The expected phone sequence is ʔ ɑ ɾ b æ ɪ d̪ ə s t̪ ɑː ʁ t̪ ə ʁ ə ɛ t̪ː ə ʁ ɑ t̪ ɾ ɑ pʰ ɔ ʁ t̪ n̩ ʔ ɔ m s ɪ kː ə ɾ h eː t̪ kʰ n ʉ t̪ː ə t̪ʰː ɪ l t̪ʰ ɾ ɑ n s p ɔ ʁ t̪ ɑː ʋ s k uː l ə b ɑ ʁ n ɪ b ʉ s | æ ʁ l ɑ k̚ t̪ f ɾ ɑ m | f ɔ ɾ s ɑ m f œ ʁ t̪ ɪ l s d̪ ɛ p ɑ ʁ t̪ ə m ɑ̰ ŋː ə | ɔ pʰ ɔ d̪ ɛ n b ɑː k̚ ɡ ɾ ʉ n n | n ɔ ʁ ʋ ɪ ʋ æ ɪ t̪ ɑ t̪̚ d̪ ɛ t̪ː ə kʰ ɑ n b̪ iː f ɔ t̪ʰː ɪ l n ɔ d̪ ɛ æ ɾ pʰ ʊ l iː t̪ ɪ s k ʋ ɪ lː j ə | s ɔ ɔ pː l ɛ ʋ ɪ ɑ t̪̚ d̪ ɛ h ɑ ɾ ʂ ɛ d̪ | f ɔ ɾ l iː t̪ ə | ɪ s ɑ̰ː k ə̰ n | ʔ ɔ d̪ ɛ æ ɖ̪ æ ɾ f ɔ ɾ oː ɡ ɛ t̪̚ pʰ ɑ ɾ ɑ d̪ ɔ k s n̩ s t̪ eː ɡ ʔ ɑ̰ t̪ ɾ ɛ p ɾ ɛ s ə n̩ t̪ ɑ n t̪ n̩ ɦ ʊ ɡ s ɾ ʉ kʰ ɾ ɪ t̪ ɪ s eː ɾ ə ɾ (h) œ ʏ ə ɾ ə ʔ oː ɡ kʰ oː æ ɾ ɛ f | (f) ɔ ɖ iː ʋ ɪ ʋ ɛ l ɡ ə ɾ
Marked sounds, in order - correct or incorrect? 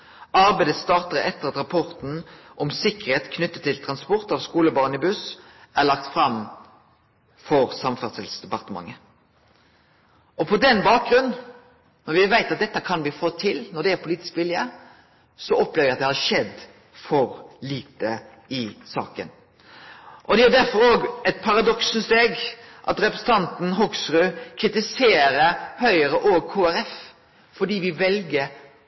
correct, correct

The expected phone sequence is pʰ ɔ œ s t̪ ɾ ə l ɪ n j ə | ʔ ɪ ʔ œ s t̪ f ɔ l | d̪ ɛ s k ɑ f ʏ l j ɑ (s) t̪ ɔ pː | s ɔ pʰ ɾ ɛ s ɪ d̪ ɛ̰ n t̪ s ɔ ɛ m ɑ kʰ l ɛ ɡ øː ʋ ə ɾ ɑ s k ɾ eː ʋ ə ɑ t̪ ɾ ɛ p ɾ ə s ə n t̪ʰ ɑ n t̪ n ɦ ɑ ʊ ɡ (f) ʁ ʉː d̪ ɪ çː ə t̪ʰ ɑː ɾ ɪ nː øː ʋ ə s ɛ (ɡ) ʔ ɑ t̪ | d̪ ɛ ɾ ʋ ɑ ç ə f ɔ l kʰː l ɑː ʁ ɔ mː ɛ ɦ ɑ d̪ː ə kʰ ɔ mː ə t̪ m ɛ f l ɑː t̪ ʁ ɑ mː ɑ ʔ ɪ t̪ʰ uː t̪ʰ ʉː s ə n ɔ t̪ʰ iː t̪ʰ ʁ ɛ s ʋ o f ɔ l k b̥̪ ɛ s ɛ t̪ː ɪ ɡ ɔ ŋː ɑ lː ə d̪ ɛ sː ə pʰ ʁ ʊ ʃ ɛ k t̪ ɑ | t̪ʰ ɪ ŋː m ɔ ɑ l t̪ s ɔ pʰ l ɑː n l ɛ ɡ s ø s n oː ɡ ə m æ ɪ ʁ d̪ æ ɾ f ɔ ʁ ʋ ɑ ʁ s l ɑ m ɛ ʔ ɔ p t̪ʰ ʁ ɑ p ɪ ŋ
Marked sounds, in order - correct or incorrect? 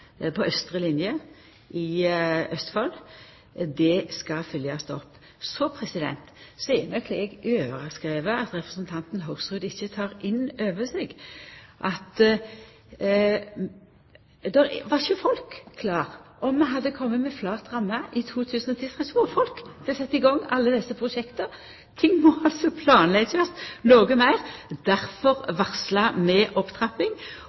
correct, incorrect, correct

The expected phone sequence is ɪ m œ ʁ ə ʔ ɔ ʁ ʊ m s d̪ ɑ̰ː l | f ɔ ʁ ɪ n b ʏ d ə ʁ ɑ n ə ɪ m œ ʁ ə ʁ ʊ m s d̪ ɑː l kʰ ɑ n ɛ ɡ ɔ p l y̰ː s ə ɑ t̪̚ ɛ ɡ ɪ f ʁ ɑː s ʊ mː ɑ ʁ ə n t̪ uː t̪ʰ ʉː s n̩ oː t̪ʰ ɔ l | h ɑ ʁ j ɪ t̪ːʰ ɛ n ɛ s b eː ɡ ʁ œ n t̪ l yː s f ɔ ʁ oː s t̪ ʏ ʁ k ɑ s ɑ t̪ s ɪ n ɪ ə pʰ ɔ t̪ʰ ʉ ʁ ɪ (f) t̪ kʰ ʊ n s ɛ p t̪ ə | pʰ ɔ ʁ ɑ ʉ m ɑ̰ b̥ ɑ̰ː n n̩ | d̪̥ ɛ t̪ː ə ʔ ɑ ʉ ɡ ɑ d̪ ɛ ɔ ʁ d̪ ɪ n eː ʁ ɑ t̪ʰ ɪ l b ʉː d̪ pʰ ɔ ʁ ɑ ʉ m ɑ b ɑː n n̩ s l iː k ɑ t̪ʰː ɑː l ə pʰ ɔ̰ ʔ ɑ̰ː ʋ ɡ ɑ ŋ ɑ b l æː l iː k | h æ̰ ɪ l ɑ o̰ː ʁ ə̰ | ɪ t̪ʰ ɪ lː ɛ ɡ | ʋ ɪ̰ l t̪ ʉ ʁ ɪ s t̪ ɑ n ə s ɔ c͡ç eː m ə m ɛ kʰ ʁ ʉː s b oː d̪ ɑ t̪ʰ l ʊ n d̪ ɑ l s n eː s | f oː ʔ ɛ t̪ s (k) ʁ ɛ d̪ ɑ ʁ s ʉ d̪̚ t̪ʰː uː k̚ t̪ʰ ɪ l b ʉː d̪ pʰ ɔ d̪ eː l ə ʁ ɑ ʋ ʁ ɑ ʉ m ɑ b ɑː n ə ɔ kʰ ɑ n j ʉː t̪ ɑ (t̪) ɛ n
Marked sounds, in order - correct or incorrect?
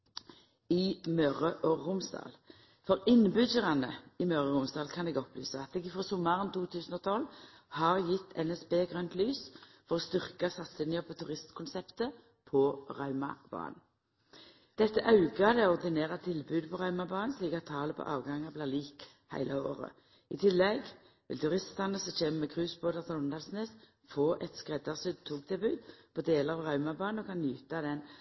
incorrect, correct, incorrect

